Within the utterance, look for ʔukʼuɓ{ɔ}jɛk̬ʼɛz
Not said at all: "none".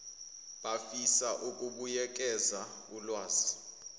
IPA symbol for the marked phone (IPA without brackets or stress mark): u